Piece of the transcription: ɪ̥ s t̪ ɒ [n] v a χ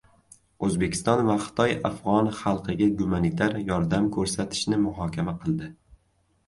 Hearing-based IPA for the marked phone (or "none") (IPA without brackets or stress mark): n